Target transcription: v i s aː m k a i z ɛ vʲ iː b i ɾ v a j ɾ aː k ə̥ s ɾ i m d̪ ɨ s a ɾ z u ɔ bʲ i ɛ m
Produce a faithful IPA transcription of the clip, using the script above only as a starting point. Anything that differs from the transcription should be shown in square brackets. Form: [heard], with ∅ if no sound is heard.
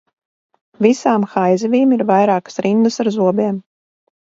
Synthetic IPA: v i s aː m [x] a [j] z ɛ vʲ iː [m] i ɾ v a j ɾ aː k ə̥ s ɾ i [n] d̪ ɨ s a ɾ z u ɔ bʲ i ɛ m